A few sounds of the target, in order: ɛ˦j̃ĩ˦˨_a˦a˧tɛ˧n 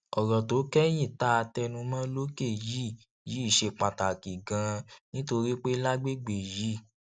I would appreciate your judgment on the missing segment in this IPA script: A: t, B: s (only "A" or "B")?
A